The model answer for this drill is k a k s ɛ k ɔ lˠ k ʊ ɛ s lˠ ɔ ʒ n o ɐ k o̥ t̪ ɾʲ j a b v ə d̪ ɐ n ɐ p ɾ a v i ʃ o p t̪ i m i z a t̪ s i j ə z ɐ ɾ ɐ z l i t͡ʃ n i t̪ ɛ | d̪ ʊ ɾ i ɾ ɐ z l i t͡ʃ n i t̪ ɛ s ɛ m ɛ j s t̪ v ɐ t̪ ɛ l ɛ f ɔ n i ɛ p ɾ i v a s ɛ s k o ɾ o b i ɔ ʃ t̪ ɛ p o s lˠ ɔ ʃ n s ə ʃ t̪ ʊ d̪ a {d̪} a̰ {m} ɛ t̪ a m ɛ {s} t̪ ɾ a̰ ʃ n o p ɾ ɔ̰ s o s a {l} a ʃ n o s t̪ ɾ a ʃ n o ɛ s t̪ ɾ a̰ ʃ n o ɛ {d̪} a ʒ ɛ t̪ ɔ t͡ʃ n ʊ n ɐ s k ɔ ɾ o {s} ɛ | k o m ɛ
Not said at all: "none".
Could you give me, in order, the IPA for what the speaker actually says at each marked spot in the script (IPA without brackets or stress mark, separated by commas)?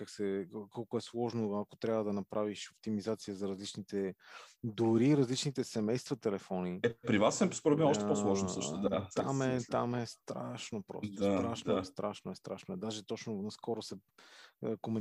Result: t̪, m, s, ɾ, d̪, s